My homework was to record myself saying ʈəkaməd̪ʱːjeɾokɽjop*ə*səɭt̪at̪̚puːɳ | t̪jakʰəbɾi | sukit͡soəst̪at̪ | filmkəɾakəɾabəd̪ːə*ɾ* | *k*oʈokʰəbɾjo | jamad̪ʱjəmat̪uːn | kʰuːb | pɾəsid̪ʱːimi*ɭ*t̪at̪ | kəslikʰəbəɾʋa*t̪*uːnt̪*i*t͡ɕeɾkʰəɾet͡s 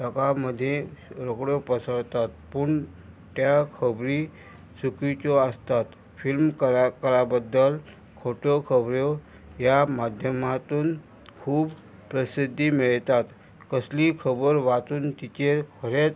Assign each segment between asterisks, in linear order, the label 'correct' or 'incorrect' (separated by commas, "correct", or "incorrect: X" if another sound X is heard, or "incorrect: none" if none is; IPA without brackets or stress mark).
correct, incorrect: l, incorrect: kʰ, correct, correct, correct